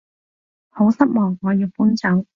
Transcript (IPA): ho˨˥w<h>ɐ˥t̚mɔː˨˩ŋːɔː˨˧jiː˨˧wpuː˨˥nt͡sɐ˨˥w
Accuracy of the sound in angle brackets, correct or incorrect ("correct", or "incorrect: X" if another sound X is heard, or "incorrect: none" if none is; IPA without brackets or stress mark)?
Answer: incorrect: s